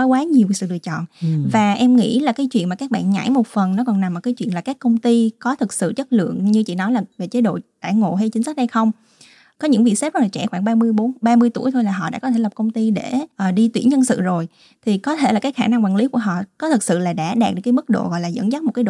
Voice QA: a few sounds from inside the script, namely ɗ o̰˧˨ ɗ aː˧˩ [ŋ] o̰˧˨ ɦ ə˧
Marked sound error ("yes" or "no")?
no